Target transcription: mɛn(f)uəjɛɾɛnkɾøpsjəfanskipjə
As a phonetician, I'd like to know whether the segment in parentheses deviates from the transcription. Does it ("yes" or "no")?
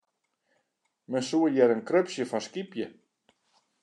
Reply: yes